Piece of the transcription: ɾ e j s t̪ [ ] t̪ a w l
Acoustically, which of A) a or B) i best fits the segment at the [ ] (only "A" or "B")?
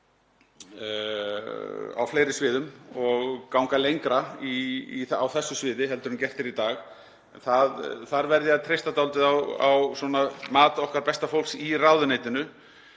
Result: A